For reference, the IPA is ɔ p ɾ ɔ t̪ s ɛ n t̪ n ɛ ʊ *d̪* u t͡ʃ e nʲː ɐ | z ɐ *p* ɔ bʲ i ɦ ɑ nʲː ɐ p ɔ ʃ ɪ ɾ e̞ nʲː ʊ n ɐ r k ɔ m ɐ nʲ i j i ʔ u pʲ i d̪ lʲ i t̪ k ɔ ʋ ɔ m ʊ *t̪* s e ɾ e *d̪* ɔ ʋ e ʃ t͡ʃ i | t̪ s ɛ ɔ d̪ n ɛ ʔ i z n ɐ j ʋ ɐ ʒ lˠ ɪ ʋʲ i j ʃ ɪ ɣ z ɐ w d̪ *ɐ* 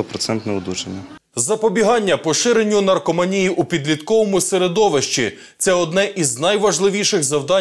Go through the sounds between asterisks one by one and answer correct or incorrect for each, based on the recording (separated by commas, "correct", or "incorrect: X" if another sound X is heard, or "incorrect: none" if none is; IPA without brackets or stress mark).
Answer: correct, correct, incorrect: none, correct, incorrect: ɑ